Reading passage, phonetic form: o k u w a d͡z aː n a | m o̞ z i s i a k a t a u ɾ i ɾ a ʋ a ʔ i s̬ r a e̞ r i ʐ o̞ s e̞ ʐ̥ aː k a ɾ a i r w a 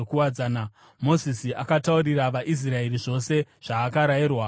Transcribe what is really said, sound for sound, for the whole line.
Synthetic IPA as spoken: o k u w a d͡z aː n a | m o̞ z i s i a k a t a u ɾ i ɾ a ʋ a ʔ i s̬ r a e̞ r i ʐ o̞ s e̞ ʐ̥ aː k a ɾ a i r w a

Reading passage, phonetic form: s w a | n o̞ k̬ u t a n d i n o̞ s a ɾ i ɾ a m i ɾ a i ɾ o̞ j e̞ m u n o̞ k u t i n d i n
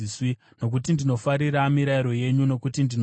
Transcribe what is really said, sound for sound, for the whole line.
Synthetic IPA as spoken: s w i | n o̞ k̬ u t i n d i n o̞ f a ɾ i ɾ a m i ɾ a i ɾ o̞ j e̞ ɲ u n o̞ k u t i n d i n

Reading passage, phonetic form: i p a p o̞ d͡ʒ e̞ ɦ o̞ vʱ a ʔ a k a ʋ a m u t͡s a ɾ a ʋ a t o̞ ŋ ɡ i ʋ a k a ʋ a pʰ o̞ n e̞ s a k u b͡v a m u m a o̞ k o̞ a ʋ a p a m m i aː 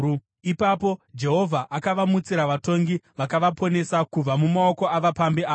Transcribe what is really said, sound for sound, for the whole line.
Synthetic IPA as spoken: i p a p o̞ d͡ʒ e̞ ɦ o̞ vʱ a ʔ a k a ʋ a m u t͡s i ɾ a ʋ a t o̞ ŋ ɡ i ʋ a k a ʋ a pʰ o̞ n e̞ s a k u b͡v a m u m a o̞ k o̞ a ʋ a p a m b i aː

